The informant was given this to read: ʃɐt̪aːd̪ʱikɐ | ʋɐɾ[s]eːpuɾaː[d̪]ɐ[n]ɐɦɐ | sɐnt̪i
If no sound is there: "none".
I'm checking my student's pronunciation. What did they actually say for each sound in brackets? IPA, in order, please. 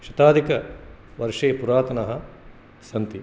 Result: ʂ, t̪, n

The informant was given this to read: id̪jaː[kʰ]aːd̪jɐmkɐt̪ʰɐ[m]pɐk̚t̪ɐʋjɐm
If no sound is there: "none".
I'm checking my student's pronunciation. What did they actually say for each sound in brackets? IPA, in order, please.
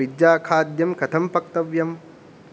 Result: kʰ, m

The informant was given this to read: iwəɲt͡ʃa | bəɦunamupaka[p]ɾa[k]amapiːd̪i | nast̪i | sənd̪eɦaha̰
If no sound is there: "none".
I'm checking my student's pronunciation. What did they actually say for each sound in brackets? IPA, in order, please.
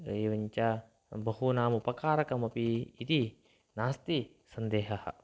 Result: none, k

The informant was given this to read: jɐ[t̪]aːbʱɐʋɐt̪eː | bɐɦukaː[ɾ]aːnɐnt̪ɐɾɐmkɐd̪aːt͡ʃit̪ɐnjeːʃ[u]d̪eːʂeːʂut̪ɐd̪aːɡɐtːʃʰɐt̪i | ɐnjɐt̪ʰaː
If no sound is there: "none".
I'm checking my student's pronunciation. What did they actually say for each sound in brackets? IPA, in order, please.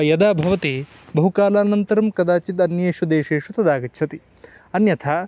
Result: d̪, l, u

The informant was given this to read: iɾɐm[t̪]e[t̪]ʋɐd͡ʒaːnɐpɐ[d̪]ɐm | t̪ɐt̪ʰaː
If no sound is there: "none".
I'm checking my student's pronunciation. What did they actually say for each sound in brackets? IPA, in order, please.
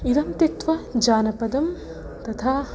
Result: t̪, t̪, d̪

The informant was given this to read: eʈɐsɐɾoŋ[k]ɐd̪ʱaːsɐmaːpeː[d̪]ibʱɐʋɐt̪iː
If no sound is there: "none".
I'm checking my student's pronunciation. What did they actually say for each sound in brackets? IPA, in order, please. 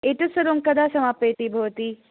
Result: k, t̪

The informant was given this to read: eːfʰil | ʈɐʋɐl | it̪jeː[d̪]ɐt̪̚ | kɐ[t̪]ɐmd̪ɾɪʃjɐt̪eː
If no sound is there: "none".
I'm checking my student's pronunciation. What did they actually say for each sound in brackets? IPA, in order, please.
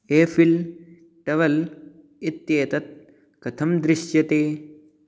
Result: t̪, t̪ʰ

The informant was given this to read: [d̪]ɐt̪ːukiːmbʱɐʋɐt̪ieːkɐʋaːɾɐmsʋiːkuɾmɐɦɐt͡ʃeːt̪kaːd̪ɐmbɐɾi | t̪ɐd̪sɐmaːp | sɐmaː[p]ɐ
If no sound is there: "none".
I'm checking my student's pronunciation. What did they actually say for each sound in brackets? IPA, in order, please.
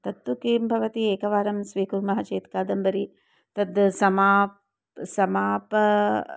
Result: t̪, p

